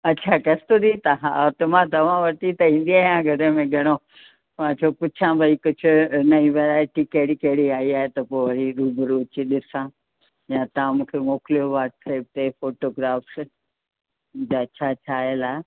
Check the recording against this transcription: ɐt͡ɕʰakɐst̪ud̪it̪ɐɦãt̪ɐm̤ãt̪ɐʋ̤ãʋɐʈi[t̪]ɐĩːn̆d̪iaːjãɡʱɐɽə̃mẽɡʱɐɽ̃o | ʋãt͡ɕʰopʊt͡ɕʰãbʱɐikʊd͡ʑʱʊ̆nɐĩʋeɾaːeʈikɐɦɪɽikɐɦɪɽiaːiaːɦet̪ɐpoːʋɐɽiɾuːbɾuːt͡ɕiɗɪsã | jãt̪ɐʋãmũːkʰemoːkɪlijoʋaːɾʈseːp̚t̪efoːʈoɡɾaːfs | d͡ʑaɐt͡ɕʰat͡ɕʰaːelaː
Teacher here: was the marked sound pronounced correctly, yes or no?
yes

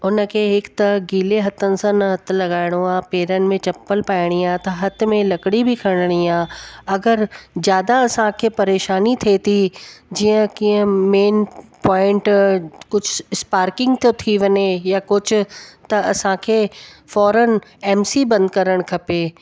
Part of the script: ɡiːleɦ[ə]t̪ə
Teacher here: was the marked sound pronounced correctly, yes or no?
no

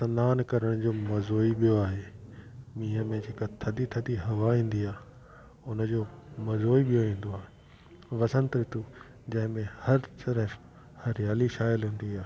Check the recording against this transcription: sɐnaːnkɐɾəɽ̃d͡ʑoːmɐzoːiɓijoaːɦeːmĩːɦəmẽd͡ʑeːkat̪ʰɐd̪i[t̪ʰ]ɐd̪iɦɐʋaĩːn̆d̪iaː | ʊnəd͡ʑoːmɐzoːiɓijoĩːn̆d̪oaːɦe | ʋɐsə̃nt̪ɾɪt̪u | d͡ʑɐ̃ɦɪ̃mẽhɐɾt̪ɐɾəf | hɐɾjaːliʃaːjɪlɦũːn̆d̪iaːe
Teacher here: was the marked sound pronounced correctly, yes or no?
yes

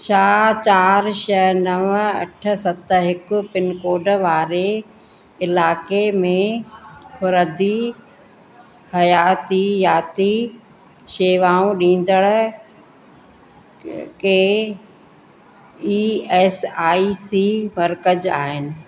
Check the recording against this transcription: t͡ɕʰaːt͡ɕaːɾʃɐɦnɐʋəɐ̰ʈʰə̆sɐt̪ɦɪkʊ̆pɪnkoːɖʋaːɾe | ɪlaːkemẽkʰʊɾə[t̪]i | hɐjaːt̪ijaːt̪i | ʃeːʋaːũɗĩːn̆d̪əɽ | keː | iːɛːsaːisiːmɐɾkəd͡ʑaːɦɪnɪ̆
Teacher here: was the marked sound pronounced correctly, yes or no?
no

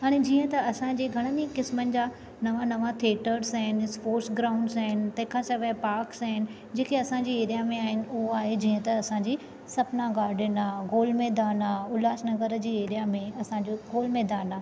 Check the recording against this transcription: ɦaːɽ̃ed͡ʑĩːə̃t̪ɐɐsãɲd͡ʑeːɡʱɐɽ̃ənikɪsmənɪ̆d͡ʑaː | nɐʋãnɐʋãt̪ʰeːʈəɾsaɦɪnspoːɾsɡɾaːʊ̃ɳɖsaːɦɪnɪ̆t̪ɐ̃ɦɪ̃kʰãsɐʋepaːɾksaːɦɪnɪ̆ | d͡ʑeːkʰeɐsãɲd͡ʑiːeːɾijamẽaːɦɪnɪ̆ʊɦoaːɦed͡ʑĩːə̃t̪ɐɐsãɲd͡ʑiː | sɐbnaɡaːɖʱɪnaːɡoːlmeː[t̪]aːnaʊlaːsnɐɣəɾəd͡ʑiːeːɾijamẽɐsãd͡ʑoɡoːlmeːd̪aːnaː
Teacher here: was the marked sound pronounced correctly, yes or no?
no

